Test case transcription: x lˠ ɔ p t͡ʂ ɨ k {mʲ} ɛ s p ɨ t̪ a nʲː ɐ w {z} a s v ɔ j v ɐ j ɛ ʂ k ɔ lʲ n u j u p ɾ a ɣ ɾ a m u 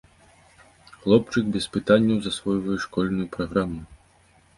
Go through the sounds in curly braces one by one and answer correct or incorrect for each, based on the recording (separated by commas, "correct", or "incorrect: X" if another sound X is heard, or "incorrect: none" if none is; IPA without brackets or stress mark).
incorrect: bʲ, correct